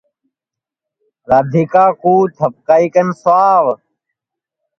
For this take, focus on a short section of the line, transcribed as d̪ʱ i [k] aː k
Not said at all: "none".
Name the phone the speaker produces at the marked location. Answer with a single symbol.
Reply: k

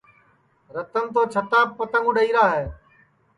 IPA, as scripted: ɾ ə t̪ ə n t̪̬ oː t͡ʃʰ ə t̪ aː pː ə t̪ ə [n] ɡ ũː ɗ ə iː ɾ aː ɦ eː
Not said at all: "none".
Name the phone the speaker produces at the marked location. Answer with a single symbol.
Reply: ŋ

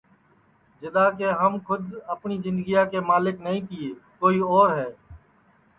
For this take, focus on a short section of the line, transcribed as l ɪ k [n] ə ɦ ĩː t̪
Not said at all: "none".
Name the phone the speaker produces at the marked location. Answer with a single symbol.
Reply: n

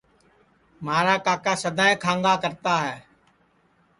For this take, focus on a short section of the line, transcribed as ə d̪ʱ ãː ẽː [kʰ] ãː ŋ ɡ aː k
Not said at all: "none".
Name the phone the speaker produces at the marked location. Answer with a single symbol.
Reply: kʰ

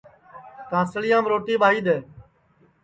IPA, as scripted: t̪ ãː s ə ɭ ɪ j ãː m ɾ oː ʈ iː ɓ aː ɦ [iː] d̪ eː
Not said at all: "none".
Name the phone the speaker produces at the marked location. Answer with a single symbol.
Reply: iː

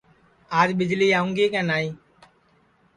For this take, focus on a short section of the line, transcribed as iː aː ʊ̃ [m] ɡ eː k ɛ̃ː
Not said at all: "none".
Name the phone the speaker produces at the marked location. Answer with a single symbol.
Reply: ŋ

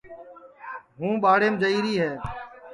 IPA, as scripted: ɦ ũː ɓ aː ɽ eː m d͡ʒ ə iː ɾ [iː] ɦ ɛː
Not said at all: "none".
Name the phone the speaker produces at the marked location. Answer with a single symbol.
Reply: iː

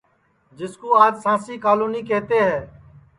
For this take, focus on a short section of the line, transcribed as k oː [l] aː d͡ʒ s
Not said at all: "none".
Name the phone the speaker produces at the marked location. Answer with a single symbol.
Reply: none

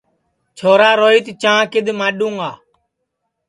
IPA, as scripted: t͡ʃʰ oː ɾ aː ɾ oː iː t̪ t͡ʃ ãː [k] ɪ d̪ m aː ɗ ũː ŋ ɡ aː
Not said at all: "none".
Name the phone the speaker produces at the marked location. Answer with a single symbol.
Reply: k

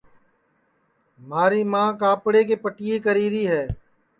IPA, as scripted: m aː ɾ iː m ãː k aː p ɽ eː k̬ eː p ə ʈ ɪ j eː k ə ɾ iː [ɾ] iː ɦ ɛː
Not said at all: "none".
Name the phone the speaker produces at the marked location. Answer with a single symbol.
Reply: ɾ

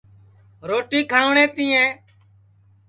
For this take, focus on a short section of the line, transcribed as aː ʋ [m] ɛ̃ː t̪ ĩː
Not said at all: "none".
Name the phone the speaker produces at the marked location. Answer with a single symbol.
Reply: ɳ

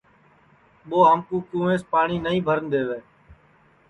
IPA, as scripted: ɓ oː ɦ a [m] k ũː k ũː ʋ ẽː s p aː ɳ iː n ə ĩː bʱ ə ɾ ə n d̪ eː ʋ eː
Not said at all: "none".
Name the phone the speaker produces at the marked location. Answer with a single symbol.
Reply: m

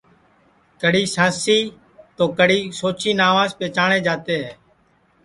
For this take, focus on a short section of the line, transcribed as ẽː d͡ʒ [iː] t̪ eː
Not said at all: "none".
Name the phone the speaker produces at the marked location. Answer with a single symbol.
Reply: aː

